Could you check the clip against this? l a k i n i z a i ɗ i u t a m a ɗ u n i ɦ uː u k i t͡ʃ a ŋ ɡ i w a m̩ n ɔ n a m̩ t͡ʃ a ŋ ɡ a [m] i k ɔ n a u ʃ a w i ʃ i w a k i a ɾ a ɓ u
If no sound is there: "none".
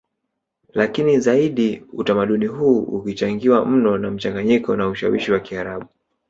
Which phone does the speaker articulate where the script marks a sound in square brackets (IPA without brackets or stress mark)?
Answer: ɲ